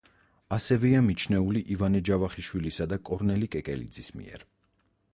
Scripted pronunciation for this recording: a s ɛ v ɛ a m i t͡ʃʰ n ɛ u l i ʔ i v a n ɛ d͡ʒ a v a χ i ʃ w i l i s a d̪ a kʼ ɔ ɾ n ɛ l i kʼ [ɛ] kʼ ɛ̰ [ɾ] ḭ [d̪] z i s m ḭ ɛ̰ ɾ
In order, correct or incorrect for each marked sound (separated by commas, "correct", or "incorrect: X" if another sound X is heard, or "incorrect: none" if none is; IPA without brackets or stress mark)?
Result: correct, incorrect: l, correct